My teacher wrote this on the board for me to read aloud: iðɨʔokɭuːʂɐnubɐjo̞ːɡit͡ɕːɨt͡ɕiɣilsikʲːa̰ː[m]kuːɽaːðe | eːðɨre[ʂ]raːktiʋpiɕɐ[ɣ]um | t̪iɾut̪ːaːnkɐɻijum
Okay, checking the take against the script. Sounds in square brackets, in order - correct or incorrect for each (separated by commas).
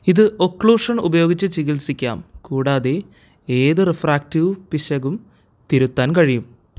correct, incorrect, correct